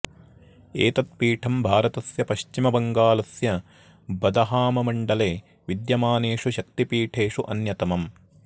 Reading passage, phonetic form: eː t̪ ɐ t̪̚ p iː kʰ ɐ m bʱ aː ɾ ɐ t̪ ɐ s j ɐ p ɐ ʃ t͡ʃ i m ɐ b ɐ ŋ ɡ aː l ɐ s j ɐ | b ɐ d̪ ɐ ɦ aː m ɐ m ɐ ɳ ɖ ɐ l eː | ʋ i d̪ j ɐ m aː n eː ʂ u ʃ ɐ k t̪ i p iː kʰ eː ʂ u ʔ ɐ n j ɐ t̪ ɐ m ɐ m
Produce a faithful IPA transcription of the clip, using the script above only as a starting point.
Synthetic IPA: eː t̪ ɐ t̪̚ p iː ʈʰ ɐ m bʱ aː ɾ ɐ t̪ ɐ s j ɐ p ɐ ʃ t͡ʃ i m ɐ b ɐ ŋ ɡ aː l ɐ s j ɐ | b ɐ d̪ ɐ ɦ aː m ɐ m ɐ ɳ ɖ ɐ l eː | ʋ i d̪ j ɐ m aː n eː ʂ u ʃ ɐ k t̪ i p iː ʈʰ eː ʂ u ʔ ɐ n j ɐ t̪ ɐ m ɐ m